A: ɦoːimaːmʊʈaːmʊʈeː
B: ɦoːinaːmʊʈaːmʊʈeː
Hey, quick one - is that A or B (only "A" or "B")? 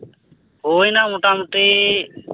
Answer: B